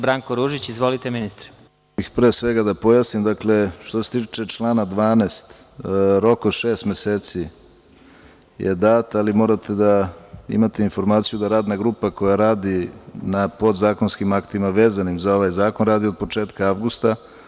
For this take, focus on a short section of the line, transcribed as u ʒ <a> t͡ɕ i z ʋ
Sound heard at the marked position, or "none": i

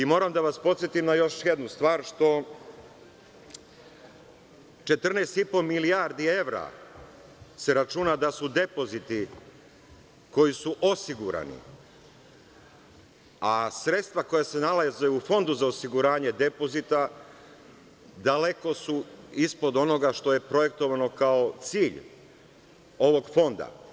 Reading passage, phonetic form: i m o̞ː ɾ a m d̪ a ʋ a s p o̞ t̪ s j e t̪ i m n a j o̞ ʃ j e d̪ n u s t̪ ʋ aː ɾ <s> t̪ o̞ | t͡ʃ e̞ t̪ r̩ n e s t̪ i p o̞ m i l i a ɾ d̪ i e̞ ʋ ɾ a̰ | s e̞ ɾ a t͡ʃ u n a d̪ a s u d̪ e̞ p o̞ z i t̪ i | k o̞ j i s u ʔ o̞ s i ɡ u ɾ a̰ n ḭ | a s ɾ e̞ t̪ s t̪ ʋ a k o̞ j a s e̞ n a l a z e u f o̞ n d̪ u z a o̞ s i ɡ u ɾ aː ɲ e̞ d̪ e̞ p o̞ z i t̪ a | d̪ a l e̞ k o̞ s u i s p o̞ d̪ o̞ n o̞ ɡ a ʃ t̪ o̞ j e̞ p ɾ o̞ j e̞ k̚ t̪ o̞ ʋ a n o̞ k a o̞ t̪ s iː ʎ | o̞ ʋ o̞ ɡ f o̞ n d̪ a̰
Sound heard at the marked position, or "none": ʃ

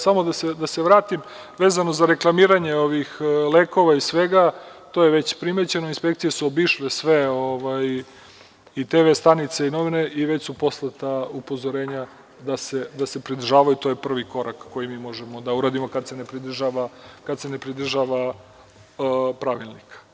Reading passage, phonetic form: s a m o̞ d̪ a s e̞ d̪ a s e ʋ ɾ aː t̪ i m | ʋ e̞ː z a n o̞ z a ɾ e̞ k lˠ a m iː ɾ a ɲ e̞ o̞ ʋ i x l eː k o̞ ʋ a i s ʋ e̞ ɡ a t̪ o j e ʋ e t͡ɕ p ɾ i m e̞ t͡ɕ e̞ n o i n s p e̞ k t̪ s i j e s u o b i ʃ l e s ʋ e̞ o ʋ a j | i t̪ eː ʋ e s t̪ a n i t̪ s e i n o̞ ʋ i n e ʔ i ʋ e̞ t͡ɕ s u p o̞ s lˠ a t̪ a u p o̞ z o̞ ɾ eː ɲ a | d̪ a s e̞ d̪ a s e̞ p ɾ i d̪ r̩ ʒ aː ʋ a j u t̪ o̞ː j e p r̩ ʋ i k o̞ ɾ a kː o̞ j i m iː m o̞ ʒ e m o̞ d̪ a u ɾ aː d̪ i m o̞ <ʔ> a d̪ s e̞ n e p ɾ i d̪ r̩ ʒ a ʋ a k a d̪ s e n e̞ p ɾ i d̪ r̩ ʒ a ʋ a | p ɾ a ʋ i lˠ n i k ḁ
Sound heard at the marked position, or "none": k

